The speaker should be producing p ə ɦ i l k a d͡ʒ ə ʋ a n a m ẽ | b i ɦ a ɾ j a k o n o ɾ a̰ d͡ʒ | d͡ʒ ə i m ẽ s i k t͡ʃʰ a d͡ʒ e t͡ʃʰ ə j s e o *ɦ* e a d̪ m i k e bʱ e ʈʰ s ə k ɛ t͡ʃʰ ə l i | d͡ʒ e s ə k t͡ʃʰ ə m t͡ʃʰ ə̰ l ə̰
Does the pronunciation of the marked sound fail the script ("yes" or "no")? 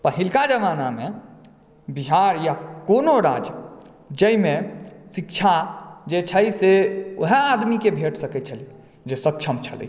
no